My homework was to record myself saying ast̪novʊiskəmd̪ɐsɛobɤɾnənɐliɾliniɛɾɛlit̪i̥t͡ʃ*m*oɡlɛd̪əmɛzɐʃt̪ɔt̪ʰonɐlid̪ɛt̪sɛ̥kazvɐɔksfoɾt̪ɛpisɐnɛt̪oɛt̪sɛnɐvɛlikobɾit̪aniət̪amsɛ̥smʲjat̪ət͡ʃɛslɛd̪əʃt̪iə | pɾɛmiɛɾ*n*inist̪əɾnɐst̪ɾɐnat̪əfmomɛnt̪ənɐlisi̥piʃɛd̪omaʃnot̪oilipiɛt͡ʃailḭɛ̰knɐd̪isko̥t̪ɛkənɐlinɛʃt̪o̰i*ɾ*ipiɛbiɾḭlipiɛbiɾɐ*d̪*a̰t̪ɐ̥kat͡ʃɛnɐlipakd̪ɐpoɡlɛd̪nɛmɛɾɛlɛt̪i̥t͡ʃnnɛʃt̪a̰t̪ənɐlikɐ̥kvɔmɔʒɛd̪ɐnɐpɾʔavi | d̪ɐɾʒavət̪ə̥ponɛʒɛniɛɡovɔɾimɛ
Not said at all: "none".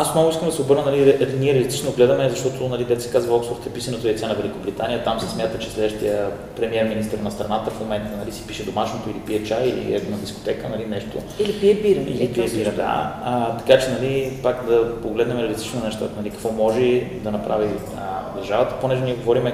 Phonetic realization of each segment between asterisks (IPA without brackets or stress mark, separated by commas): n, m, l, d̪